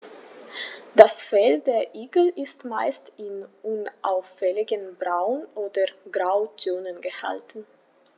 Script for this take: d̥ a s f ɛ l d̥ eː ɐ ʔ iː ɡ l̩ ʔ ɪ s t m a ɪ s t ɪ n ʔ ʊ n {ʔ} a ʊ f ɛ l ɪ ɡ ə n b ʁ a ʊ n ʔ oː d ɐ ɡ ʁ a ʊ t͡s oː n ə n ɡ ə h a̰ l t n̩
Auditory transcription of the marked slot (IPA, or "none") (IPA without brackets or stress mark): ʔ